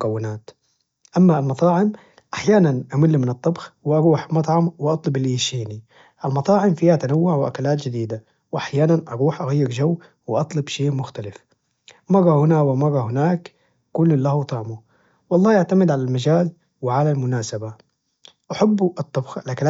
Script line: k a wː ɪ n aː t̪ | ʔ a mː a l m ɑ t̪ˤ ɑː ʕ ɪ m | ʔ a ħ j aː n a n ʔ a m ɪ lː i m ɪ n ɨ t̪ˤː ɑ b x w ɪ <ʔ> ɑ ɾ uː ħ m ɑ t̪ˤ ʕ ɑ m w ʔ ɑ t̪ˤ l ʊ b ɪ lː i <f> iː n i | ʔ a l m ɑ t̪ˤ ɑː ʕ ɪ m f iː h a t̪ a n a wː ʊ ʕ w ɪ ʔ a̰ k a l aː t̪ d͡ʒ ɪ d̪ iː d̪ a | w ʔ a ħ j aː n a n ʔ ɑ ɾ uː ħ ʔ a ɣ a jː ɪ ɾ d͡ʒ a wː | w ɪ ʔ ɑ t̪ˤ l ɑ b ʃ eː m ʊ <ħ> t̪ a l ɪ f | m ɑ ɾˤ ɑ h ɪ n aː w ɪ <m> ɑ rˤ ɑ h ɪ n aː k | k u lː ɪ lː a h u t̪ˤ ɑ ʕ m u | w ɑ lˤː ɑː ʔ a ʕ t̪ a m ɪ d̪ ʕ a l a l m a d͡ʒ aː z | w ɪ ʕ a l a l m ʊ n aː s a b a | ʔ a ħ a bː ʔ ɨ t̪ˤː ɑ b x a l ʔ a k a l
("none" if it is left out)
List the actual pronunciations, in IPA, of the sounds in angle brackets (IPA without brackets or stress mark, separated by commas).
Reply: ʔ, ʃ, x, m